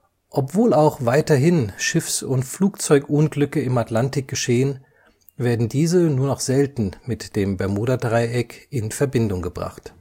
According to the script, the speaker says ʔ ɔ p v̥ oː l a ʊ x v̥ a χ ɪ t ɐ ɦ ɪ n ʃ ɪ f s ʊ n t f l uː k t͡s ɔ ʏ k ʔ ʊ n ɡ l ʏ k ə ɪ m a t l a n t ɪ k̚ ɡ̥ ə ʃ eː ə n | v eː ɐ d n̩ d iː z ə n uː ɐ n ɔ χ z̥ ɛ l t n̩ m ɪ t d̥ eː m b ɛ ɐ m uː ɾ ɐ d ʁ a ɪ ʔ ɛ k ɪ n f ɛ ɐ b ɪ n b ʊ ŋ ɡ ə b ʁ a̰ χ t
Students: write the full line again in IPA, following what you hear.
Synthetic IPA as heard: ʔ ɔ p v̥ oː l a ʊ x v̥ a ɪ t ɐ ɦ ɪ n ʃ ɪ f s ʊ n t f l uː k t͡s ɔ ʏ k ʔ ʊ n ɡ l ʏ k ə ɪ m a t l a n t ɪ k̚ ɡ̥ ə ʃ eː ə n | v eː ɐ d n̩ d iː z ə n uː ɐ n ɔ χ z̥ ɛ l t n̩ m ɪ t d̥ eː m b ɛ ɐ m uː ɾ ɐ d ʁ a ɪ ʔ ɛ k ɪ n f ɛ ɐ b ɪ n d ʊ ŋ ɡ ə b ʁ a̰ χ t